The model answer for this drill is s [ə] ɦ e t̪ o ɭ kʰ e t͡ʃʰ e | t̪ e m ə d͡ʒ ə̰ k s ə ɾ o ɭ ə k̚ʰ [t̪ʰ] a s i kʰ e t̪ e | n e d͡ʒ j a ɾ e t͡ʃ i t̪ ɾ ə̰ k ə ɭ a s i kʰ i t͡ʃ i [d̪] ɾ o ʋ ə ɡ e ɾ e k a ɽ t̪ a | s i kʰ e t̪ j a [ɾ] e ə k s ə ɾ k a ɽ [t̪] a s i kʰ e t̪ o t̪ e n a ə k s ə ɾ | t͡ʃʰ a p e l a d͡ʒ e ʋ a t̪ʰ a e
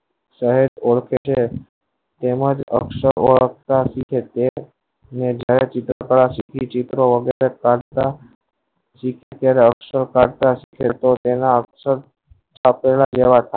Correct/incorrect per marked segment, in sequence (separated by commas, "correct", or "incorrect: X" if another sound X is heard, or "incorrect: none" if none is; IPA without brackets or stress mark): correct, incorrect: t̪, incorrect: t̪, correct, correct